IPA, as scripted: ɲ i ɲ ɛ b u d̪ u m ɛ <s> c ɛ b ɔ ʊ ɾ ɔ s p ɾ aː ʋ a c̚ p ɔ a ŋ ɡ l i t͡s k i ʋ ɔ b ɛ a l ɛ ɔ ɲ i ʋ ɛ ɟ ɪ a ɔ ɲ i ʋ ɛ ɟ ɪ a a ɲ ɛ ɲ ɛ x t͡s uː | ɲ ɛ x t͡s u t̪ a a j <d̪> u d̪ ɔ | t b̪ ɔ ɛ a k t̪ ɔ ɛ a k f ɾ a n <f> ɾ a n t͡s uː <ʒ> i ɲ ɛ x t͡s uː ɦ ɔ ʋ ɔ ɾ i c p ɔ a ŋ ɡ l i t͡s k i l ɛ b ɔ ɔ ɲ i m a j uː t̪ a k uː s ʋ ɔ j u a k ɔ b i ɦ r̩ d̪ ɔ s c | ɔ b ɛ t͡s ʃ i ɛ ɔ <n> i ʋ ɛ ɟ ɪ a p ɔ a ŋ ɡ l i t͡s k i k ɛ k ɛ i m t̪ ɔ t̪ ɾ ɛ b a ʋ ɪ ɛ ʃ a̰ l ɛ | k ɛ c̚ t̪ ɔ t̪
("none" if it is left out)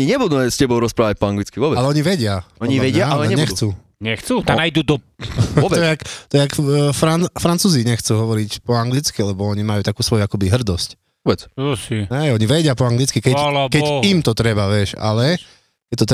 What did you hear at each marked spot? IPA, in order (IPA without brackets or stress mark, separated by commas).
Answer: s, d̪, f, z, ɲ